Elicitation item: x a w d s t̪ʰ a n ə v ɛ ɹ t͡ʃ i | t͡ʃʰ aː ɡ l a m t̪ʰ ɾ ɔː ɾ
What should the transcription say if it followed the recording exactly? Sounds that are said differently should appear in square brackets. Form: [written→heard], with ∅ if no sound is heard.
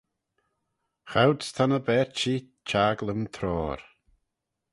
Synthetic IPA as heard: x a w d s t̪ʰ a n ə [v→b] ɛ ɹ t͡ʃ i | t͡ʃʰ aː ɡ l [a→ə] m t̪ʰ ɾ ɔː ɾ